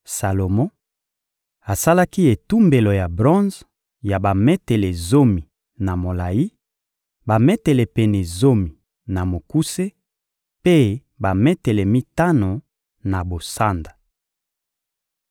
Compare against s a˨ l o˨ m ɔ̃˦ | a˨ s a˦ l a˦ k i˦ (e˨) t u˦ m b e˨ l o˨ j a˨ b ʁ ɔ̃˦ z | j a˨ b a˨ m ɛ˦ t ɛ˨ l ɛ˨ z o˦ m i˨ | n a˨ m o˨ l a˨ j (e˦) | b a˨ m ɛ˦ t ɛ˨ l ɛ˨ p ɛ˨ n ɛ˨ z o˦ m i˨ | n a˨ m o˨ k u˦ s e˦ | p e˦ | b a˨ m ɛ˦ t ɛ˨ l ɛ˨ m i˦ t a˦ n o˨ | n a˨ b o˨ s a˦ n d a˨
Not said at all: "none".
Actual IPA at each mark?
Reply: e˨, i˦

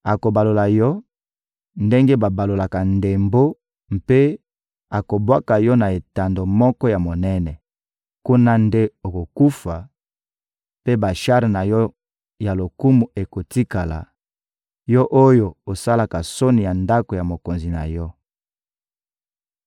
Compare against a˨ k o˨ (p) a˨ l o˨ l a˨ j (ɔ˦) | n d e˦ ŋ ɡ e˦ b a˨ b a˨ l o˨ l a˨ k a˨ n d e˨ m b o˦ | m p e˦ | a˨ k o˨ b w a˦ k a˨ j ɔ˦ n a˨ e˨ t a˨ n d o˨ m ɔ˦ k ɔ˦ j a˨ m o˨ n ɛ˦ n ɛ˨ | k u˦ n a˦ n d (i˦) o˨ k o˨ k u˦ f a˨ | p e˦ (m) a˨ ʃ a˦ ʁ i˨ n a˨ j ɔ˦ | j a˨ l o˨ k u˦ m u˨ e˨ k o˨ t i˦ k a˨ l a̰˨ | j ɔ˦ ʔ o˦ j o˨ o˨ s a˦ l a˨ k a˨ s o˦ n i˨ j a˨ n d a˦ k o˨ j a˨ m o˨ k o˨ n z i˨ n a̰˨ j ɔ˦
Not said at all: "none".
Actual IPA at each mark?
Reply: b, ɔ˦, e˦, b

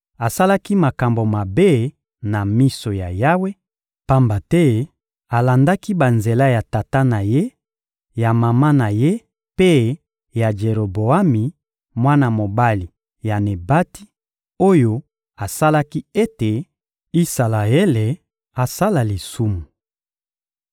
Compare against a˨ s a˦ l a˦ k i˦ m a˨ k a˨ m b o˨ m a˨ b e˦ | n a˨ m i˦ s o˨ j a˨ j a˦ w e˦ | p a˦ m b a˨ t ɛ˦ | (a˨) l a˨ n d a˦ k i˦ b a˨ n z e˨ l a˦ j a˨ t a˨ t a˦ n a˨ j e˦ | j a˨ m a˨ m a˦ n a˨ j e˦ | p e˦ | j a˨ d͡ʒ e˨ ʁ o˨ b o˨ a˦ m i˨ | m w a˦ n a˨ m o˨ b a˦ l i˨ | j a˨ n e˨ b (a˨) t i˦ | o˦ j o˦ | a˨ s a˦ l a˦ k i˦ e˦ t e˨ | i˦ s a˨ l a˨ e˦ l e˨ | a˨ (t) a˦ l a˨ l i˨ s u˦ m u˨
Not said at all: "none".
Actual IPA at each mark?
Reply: a˨, a˦, s

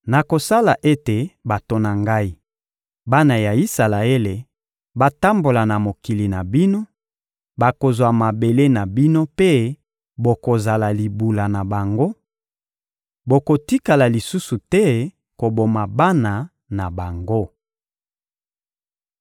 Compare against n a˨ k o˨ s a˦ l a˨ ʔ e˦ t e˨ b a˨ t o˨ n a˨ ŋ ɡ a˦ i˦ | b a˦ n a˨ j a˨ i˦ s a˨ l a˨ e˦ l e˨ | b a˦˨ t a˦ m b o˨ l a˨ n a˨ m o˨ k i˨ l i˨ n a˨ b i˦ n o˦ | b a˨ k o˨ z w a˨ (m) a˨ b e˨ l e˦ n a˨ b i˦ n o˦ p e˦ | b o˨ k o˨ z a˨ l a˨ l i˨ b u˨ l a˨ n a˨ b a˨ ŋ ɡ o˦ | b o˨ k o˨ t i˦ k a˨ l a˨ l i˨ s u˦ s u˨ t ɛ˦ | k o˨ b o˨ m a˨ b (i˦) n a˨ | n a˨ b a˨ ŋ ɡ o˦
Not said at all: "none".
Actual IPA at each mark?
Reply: m, a˦

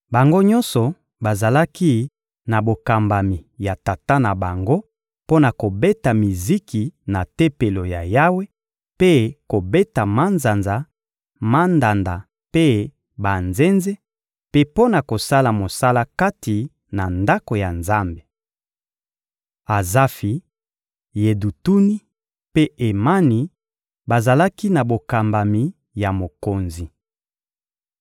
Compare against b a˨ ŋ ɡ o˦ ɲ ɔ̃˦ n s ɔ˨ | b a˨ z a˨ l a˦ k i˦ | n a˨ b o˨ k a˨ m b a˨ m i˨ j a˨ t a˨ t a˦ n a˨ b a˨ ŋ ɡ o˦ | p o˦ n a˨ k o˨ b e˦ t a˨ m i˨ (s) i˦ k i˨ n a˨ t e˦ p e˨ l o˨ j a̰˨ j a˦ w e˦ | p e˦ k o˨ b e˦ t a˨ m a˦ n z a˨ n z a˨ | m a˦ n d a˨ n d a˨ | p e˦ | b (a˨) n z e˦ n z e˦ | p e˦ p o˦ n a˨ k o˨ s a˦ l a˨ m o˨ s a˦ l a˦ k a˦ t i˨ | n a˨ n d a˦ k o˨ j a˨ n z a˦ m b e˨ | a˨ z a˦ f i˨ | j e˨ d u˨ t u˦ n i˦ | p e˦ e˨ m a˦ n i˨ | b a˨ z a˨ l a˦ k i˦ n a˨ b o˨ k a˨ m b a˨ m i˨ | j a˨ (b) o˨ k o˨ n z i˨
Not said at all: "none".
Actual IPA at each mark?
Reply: z, a˨, m

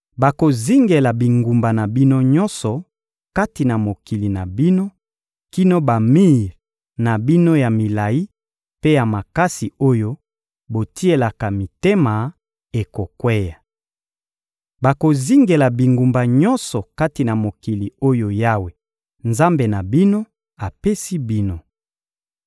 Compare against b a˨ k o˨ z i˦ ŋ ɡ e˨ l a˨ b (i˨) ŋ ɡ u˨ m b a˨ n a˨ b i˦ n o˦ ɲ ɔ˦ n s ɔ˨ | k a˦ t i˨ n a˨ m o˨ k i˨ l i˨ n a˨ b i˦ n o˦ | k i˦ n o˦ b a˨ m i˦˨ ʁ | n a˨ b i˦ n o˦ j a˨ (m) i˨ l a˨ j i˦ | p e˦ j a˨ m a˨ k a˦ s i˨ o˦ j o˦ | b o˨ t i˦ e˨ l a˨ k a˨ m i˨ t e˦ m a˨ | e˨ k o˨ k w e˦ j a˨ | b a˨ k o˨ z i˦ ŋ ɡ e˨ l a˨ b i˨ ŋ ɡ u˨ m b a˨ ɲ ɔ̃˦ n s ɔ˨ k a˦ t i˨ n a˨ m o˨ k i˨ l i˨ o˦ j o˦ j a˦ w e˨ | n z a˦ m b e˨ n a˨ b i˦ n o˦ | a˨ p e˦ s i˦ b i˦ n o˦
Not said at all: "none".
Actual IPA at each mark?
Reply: i˨, m

